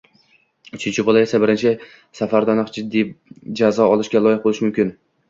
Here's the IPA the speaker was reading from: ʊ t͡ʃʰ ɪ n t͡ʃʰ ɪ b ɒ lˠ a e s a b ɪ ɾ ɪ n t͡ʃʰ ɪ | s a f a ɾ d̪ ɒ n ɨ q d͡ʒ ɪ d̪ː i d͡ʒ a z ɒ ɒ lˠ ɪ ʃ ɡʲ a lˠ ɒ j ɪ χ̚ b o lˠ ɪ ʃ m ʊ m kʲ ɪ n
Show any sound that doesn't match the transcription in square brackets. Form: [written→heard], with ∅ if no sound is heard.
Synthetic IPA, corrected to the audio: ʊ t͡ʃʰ ɪ n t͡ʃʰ ɪ b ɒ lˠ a e s a b ɪ ɾ ɪ n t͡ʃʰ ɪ | s a f a ɾ d̪ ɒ n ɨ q d͡ʒ ɪ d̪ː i d͡ʒ a z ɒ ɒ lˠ ɪ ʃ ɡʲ a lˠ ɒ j ɪ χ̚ b o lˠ ɪ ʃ m ʊ m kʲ ɪ n